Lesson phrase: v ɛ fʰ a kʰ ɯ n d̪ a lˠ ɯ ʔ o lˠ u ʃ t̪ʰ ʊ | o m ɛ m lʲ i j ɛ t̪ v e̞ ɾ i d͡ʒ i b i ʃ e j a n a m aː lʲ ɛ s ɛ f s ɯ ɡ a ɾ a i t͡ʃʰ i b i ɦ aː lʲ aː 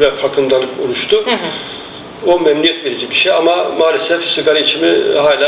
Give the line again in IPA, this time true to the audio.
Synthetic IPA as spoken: v ɛ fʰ a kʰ ɯ n d̪ a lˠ ɯ k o lˠ u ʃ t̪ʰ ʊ | o m ɛ m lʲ i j ɛ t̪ v e̞ ɾ i d͡ʒ i b i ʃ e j a m a m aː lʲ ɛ s ɛ f s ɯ ɡ a ɾ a i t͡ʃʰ i m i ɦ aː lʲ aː